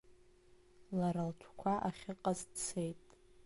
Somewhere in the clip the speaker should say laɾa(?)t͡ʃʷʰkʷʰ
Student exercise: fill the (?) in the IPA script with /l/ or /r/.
l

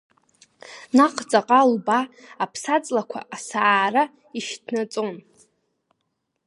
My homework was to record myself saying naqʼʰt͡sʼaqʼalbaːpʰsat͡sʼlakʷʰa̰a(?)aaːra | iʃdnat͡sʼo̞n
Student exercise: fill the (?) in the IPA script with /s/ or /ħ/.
s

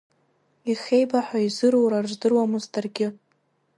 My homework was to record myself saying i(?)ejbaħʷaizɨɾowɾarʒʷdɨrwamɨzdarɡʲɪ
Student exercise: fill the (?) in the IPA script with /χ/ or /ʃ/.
χ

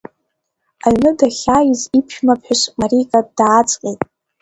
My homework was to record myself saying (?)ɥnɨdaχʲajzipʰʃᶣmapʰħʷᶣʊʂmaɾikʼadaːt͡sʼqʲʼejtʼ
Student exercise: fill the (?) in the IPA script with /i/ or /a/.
a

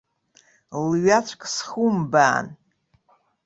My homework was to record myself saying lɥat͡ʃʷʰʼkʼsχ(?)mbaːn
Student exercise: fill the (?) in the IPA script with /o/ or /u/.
u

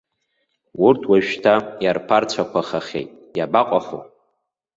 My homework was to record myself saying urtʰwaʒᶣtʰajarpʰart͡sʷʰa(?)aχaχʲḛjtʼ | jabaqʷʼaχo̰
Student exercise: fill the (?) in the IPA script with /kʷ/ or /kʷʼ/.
kʷ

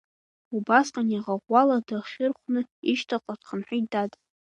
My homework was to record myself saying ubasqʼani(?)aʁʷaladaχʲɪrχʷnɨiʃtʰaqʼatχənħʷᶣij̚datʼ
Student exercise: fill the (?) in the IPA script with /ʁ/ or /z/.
ʁ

